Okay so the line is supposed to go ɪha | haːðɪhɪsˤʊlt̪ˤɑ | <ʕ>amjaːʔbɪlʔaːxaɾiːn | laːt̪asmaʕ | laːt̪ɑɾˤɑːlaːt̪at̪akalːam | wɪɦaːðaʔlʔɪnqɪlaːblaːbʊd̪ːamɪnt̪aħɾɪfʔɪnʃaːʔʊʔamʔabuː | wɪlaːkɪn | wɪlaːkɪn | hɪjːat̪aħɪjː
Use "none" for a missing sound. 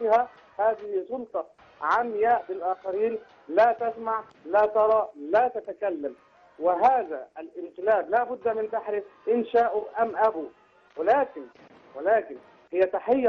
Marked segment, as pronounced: ʕ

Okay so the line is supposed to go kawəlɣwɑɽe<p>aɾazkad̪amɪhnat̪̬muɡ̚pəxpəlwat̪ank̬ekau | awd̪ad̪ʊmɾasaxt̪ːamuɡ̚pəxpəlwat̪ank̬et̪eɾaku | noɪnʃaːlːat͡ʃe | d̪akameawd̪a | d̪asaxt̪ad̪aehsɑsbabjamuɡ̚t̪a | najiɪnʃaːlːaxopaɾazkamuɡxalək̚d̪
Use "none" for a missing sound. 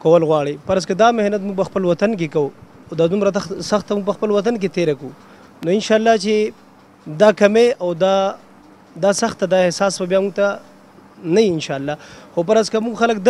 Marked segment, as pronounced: p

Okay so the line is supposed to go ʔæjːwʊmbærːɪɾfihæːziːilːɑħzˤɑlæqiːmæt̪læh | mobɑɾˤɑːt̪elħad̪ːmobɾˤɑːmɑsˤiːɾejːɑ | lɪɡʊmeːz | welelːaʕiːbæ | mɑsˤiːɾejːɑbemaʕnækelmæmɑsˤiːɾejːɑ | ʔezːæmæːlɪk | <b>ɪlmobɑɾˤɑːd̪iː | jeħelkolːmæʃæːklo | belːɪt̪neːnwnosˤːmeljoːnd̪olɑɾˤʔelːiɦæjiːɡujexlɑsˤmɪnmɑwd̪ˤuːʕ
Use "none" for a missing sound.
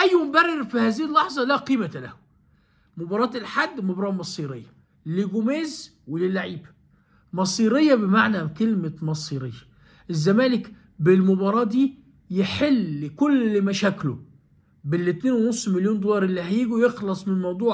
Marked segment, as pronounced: b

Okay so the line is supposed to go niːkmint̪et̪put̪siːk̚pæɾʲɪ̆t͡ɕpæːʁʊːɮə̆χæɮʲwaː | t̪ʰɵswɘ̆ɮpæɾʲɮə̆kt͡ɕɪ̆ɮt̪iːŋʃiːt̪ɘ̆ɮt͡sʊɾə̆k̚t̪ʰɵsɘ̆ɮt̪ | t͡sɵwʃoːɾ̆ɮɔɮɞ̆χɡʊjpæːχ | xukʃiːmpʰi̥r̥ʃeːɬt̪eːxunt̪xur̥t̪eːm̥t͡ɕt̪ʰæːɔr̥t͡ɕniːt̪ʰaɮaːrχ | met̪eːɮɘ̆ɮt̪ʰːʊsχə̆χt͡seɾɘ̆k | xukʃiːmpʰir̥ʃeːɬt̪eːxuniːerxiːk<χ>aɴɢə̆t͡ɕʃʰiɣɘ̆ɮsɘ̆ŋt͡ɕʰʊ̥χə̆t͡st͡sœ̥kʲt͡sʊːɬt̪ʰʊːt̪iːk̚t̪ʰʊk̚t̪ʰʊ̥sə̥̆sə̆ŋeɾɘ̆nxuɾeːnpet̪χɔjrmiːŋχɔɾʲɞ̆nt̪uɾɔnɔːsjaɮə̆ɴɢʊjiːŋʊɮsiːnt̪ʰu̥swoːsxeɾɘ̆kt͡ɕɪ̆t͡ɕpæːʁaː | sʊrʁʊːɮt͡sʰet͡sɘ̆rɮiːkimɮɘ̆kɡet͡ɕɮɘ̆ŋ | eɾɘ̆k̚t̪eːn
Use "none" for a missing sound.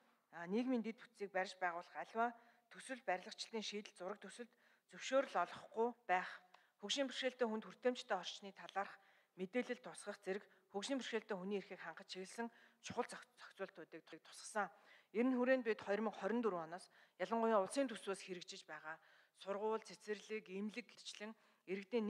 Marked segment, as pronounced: χ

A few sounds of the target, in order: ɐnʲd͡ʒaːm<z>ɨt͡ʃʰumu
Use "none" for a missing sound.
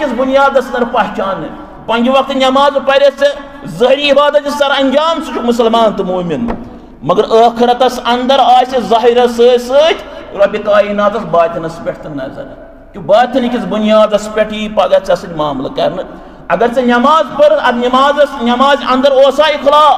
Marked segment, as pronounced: s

